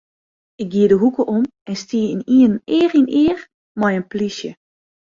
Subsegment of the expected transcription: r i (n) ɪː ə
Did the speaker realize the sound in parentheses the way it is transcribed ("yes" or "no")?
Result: yes